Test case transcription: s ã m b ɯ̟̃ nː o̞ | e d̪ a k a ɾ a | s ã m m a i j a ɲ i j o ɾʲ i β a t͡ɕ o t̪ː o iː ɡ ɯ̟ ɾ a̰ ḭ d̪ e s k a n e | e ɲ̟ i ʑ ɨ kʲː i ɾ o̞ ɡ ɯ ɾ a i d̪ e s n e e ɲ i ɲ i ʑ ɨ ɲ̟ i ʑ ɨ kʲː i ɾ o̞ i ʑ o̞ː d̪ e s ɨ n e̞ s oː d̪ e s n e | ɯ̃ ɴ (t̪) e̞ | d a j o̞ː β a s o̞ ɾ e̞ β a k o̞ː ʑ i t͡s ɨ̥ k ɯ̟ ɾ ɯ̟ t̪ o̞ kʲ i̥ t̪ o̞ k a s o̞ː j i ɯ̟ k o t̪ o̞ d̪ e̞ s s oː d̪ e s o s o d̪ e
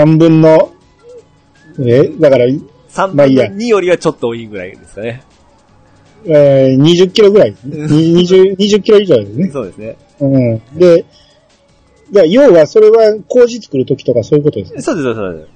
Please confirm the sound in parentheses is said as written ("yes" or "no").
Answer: no